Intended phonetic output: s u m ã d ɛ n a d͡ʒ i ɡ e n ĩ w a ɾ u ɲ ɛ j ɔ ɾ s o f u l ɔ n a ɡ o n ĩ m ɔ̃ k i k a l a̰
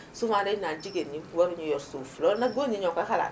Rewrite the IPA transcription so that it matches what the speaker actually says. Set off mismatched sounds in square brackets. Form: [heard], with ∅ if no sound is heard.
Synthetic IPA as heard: s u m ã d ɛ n a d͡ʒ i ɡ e n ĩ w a ɾ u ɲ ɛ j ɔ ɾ s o f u l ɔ n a ɡ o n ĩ [ɲ] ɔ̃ k [a] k a l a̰

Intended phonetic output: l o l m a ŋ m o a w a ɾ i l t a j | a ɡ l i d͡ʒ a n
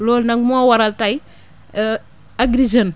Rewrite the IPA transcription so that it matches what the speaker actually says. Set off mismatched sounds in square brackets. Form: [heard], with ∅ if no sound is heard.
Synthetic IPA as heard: l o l [n] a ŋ m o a w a ɾ [a] l t a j | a ɡ [ɾ] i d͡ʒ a n

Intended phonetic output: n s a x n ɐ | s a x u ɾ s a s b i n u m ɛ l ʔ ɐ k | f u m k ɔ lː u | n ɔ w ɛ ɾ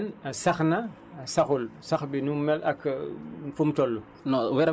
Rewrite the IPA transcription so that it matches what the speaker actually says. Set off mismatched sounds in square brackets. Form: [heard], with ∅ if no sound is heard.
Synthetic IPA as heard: n s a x n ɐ | s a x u [l] s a [x] b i n u m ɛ l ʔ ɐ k | f u m [t] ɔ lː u | n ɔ w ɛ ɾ

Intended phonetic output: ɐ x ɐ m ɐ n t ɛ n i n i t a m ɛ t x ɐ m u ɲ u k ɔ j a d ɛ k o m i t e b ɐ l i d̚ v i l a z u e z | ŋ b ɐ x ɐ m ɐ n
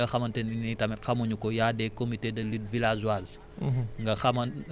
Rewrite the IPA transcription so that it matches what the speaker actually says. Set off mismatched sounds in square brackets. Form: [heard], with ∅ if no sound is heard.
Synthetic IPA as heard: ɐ x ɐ m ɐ n t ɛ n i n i t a m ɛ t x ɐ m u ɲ u k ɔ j a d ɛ k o m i t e [d] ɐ l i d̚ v i l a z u [a] z | ŋ [ɡ] ɐ x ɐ m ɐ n

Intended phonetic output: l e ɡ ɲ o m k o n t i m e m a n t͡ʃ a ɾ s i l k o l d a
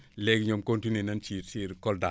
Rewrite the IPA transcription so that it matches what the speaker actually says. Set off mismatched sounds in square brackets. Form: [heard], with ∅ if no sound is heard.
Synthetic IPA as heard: l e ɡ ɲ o m k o n t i [n] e [n] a n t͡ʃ [i] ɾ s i [ɾ] k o l d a

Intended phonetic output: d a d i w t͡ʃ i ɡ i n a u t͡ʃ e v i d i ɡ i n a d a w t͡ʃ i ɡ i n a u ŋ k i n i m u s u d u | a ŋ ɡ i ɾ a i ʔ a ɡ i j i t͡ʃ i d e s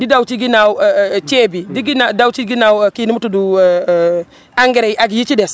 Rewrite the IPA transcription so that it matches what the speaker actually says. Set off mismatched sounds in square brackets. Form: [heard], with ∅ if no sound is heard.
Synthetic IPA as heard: d [i] d [a] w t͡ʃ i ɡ i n a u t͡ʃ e [b] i d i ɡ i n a d a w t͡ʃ i ɡ i n a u [∅] k i n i m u [t] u d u | a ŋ ɡ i ɾ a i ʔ a ɡ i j i t͡ʃ i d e s

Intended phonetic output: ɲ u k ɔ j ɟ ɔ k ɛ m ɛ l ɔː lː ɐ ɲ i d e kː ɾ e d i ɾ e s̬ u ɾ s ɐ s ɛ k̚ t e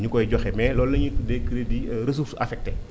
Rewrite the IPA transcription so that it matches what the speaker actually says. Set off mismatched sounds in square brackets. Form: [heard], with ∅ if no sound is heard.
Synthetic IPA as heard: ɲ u k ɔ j ɟ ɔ [x] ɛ m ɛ l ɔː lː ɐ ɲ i d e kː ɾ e d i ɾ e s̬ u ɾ s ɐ [f] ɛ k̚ t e

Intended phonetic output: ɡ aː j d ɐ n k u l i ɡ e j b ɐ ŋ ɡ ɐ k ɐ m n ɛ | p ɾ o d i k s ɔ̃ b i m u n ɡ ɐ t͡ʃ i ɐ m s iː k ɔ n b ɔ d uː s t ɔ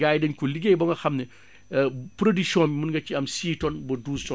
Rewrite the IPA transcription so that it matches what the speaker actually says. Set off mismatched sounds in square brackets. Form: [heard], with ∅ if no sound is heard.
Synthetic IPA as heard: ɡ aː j d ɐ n k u l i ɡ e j b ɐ ŋ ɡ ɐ [x] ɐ m n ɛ | p ɾ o d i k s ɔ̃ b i m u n ɡ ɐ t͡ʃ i ɐ m s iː [t] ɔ n b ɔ d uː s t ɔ

